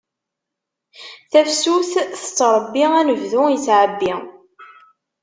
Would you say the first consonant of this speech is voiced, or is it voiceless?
voiceless